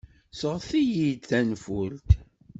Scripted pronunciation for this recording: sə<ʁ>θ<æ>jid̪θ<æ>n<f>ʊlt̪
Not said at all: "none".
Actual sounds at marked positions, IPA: ʁ, i, æ, f

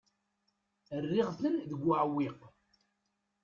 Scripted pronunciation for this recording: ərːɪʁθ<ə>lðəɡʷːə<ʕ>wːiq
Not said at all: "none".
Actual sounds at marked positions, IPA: ə, ʕ

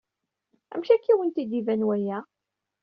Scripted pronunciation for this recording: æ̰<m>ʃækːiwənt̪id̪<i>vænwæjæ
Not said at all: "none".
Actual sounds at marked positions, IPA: m, i

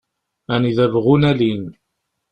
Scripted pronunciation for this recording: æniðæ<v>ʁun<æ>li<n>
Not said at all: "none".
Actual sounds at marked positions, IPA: v, æ, n

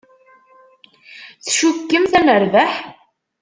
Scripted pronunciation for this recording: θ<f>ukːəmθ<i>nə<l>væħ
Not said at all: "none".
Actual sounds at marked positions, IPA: ʃ, æ, ɾ

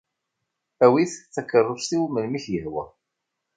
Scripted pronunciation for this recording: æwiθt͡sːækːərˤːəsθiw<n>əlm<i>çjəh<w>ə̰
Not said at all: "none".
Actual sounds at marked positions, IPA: m, i, w

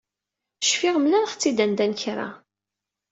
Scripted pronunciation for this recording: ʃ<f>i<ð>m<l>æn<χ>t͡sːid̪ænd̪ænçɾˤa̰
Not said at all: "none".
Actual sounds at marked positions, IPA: f, ʁ, l, χ

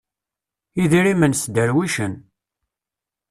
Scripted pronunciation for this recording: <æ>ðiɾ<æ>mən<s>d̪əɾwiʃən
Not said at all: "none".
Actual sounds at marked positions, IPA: i, i, s

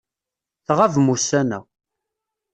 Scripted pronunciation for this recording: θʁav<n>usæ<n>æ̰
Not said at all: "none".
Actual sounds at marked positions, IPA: m, n

